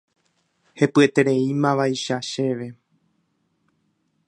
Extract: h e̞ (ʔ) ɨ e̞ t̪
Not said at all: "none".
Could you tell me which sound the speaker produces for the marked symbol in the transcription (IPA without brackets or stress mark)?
p